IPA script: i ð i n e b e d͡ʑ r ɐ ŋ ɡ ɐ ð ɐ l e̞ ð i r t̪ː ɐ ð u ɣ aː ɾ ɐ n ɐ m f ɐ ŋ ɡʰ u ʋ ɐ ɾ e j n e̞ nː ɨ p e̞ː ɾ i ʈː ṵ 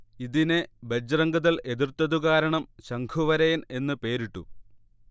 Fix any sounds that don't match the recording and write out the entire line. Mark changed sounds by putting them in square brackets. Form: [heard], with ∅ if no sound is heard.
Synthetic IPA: i ð i n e b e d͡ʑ r ɐ ŋ ɡ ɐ ð ɐ l e̞ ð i r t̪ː ɐ ð u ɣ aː ɾ ɐ [ɳ] ɐ m [ɕ] ɐ ŋ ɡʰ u ʋ ɐ ɾ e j n e̞ nː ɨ p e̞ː ɾ i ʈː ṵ